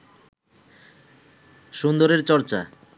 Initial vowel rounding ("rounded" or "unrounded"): rounded